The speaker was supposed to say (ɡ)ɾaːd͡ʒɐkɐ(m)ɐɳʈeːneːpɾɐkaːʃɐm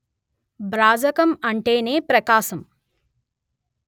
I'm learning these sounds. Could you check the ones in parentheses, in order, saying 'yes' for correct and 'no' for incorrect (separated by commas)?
no, yes